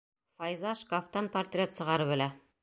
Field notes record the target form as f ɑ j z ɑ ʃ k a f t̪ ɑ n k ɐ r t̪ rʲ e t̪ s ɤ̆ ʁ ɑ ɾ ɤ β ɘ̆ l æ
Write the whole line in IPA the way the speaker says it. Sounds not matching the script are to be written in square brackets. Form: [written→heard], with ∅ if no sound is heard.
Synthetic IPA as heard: f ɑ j z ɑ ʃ k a f t̪ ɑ n [k→p] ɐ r t̪ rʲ e t̪ s ɤ̆ ʁ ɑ ɾ ɤ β ɘ̆ l æ